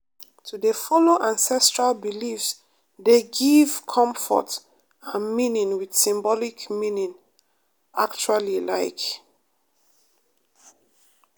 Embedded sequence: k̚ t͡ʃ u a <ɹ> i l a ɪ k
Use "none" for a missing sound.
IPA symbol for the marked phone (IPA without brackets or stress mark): l